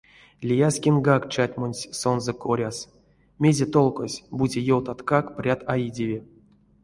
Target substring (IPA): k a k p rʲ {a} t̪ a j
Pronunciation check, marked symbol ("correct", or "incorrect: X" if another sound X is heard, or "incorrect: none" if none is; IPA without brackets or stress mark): correct